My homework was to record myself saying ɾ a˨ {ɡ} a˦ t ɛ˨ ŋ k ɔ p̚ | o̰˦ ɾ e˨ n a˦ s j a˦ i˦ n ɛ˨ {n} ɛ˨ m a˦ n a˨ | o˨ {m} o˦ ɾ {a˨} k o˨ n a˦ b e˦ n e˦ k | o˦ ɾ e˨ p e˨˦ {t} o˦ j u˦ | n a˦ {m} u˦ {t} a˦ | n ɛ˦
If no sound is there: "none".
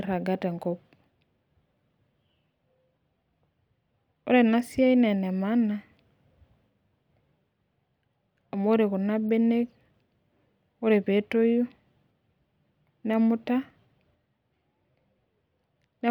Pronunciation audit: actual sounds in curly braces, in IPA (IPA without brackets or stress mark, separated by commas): ɡ, n, m, e˨, t, m, t